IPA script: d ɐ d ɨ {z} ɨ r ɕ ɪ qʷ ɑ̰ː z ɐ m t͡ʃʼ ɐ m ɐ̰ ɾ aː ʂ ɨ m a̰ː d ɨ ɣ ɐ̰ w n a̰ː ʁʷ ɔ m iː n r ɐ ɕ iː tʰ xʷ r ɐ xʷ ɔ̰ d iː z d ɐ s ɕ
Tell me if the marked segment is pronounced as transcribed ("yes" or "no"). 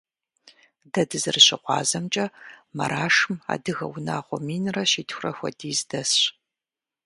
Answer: yes